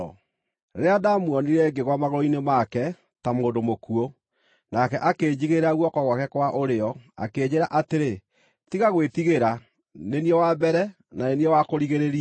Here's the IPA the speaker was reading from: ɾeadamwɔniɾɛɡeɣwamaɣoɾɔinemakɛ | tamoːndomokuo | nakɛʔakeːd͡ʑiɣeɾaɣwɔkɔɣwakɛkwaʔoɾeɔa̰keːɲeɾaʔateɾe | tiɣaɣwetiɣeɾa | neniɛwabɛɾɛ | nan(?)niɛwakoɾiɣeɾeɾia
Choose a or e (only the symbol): e